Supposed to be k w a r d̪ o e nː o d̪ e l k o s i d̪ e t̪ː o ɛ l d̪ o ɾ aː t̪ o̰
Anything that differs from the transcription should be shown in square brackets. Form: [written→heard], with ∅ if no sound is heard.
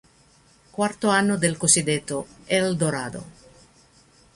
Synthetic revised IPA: k w a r [d̪→t̪] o [e→a] nː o d̪ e l k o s i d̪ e t̪ː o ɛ l d̪ o ɾ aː [t̪→d̪] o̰